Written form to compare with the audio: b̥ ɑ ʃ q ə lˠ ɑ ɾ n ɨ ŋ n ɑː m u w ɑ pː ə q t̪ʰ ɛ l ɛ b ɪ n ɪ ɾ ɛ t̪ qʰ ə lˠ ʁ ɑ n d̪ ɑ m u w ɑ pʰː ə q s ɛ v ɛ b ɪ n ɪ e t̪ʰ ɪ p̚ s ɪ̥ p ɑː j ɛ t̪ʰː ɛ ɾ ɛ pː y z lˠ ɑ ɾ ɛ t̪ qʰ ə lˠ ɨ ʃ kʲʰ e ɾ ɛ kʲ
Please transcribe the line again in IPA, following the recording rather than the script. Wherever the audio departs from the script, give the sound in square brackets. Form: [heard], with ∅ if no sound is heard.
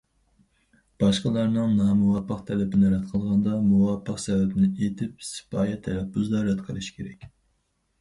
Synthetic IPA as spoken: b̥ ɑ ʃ q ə lˠ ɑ ɾ n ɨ ŋ n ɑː m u w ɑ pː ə q t̪ʰ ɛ l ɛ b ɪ n ɪ ɾ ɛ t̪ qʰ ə lˠ ʁ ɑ n d̪ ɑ m u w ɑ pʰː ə q s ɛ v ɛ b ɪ n ɪ e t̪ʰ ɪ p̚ s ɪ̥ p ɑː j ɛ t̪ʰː ɛ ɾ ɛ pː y z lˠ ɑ ɾ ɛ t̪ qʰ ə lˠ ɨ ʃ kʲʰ e ɾ ɛ kʲ

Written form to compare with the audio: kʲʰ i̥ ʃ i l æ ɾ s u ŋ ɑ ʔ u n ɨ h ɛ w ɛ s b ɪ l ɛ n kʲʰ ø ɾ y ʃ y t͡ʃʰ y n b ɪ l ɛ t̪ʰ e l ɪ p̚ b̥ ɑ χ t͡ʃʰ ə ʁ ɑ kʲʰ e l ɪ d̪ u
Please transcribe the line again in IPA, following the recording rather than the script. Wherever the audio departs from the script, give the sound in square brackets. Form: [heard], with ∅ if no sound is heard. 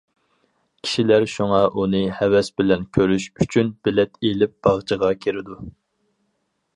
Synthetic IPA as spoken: kʲʰ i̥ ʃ i l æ ɾ [ʃ] u ŋ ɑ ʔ u n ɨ h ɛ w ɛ s b ɪ l ɛ n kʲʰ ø ɾ y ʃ y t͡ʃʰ y n b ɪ l ɛ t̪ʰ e l ɪ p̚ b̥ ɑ [ʁ] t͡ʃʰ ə ʁ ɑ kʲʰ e [ɾ] ɪ d̪ u

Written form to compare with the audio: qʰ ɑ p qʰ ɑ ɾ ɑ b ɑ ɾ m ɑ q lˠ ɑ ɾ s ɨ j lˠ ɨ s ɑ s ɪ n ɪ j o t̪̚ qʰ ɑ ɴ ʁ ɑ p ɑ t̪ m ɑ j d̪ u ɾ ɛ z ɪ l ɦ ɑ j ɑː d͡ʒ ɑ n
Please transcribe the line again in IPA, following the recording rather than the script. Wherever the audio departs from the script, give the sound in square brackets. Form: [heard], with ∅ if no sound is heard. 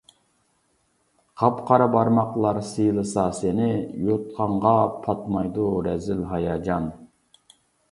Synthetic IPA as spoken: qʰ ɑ p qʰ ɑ ɾ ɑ b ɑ ɾ m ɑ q lˠ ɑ ɾ s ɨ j lˠ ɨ s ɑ s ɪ n ɪ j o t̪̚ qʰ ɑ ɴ ʁ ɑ [pʰ] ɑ t̪ m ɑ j d̪ u ɾ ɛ z ɪ l ɦ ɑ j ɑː d͡ʒ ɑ n

